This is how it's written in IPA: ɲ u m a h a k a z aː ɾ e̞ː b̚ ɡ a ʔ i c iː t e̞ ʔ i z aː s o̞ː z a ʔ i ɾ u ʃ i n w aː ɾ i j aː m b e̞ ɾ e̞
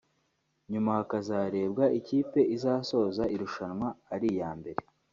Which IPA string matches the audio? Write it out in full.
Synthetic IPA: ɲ u m a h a k a z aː ɾ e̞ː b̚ ɡ a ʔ i c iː p e̞ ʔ i z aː s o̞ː z a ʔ i ɾ u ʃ a n w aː ɾ i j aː m b e̞ ɾ e̞